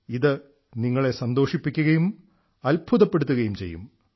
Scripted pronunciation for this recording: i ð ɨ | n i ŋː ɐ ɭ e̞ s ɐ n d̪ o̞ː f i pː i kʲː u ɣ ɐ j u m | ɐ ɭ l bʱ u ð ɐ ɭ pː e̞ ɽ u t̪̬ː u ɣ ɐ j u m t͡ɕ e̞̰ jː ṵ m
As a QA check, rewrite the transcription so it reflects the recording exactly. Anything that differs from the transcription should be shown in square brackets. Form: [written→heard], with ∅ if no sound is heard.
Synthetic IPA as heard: i ð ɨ | n i ŋː ɐ ɭ e̞ s ɐ n d̪ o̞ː [f→ʂ] i pː i kʲː u ɣ ɐ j u m | ɐ [ɭ→∅] l bʱ u ð ɐ [ɭ→∅] pː e̞ ɽ u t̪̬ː u ɣ ɐ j u m t͡ɕ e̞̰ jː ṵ m